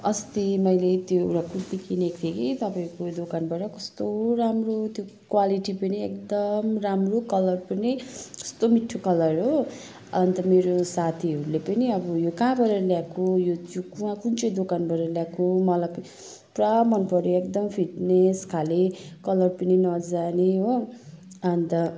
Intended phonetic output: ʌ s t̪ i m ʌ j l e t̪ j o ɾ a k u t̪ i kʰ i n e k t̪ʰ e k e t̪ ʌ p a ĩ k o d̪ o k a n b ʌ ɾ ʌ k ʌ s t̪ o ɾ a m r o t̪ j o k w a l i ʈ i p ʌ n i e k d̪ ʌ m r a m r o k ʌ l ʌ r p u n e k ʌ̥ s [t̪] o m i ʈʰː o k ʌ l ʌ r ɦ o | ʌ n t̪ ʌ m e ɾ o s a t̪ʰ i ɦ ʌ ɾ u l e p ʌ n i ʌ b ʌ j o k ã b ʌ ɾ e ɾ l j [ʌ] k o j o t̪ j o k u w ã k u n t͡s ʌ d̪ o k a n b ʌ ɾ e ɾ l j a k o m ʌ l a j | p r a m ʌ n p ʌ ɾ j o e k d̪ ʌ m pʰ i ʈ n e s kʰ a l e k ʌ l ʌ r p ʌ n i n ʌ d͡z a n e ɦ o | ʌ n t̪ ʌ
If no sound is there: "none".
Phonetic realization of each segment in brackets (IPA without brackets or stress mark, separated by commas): t̪, a